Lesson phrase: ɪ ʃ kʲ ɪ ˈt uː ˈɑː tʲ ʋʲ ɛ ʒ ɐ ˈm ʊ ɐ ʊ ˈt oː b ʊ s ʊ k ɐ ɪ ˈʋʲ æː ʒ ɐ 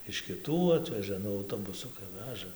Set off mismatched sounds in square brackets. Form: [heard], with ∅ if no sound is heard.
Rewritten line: ɪ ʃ kʲ ɪ ˈt uː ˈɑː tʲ ʋʲ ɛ ʒ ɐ [ˈn] ʊ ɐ ʊ ˈt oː b ʊ s ʊ k ɐ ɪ ˈʋʲ æː ʒ ɐ